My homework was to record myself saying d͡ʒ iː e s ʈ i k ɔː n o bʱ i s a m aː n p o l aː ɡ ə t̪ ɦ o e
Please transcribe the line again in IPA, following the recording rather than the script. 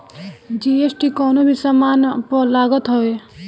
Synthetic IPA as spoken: d͡ʒ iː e s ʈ i k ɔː n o bʱ i s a m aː n p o l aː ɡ ə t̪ ɦ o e